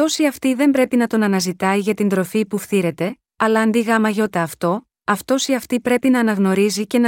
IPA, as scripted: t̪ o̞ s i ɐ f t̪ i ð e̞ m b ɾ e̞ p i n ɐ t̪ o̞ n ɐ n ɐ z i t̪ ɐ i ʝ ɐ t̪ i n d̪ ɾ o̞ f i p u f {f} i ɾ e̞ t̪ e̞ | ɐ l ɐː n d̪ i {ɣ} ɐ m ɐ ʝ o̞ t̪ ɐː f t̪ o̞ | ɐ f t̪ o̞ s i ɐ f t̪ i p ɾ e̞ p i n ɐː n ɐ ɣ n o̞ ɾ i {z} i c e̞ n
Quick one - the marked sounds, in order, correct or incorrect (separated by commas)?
incorrect, correct, correct